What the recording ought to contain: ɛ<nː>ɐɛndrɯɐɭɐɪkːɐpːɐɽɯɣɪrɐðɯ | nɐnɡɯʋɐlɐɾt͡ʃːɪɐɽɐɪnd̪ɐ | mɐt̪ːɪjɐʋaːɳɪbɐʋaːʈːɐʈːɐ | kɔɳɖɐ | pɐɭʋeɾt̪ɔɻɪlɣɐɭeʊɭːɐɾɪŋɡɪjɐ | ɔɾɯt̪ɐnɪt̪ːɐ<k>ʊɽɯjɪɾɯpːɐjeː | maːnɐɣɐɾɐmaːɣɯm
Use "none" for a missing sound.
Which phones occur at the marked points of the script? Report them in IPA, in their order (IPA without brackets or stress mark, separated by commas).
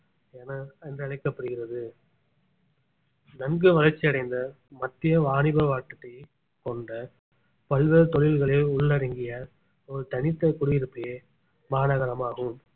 n, k